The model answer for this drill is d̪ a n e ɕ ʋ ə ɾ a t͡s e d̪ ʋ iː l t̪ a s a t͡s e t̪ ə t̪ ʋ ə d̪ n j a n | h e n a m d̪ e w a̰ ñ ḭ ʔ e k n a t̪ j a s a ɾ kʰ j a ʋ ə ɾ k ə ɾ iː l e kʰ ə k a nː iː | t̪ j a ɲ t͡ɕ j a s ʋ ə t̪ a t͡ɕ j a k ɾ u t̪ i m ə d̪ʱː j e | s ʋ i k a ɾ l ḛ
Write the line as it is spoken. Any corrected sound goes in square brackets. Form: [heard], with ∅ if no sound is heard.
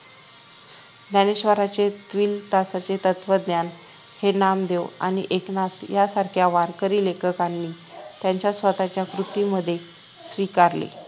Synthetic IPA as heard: d̪ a n e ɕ ʋ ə ɾ a t͡s e [t̪] ʋ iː l t̪ a s a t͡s e t̪ ə t̪ ʋ ə d̪ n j a n | h e n a m d̪ e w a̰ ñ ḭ ʔ e k n a t̪ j a s a ɾ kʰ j a ʋ [a] ɾ k ə ɾ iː l e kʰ ə k a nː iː | t̪ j a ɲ t͡ɕ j a s ʋ ə t̪ a t͡ɕ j a k ɾ u t̪ i m ə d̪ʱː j e | s ʋ i k a ɾ l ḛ